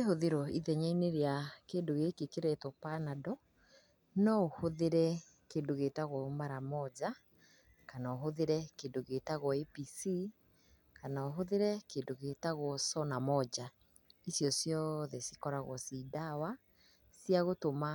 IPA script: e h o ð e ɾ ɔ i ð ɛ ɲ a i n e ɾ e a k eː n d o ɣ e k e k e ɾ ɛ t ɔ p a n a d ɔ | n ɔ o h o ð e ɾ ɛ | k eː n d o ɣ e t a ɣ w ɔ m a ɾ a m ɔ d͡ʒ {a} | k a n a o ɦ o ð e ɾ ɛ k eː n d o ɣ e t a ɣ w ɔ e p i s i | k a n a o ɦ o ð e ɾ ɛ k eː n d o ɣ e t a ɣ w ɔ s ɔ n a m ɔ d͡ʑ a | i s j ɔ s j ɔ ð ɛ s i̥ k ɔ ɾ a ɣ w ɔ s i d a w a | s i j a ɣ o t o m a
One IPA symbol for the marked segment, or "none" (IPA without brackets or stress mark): a